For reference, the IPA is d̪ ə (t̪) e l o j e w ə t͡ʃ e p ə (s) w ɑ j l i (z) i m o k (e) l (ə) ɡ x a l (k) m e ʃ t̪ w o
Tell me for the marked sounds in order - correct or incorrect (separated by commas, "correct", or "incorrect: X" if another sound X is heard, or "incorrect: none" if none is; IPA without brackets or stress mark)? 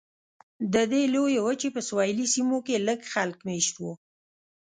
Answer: incorrect: d̪, correct, incorrect: s, correct, correct, correct